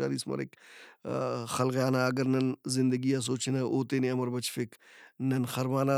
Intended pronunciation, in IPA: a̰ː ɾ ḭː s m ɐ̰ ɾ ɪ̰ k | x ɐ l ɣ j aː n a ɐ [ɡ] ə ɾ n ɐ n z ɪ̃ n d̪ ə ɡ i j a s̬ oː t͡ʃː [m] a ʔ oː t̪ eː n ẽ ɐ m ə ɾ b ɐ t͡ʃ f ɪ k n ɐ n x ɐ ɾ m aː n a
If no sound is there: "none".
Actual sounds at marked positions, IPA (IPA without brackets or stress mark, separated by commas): ɡ, n